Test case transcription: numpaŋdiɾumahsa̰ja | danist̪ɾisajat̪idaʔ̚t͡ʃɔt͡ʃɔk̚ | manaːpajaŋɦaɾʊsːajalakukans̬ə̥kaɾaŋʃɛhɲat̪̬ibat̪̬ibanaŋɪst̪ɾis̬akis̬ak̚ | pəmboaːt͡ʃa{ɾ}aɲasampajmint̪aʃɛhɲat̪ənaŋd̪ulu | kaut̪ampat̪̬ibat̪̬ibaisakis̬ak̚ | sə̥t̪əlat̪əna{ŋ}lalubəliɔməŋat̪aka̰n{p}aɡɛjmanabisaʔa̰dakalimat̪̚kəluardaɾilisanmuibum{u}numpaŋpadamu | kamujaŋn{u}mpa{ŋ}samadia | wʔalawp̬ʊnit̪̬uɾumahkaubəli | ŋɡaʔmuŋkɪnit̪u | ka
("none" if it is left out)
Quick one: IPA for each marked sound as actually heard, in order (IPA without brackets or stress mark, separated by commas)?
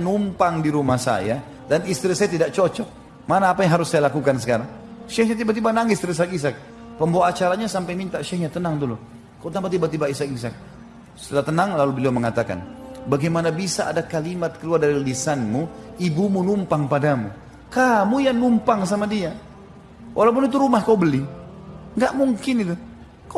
ɾ, ŋ, b, u, u, ŋ